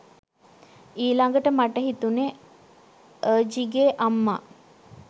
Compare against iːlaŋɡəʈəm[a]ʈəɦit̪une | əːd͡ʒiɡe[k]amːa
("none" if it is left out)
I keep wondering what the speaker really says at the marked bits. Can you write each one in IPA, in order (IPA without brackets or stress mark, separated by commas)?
a, ʔ